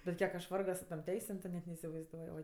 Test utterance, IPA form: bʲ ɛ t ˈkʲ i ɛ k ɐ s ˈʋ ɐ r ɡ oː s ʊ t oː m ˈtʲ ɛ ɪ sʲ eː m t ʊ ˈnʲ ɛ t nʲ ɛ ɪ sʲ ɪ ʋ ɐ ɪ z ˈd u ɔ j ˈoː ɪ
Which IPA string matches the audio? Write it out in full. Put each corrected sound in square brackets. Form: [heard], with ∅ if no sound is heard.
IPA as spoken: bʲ ɛ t ˈkʲ i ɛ k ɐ [ʃ] ˈʋ ɐ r ɡ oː s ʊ t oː m ˈtʲ ɛ ɪ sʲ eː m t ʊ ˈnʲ ɛ t nʲ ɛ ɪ sʲ ɪ ʋ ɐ ɪ z ˈd u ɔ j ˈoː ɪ